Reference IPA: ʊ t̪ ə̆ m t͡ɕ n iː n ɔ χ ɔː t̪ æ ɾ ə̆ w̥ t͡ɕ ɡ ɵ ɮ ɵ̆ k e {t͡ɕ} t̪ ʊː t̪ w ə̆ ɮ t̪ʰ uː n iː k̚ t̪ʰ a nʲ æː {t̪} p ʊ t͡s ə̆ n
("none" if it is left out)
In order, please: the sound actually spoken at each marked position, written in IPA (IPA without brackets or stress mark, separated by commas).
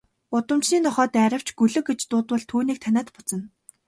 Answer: t͡ɕ, t̪